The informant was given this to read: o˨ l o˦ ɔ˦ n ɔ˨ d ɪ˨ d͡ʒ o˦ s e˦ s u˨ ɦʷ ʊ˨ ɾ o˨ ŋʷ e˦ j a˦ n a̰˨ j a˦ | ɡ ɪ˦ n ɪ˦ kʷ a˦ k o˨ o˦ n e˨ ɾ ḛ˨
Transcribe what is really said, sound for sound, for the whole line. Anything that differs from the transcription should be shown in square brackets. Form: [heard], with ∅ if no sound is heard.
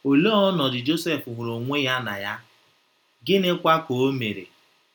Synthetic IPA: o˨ l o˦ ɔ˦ n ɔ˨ d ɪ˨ d͡ʒ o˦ s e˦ [f] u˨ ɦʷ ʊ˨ ɾ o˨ ŋʷ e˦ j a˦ n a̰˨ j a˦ | ɡ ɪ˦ n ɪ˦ kʷ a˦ k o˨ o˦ [m] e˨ ɾ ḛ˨